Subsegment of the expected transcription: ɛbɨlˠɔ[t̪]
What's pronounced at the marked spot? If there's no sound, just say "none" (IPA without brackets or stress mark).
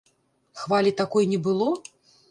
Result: none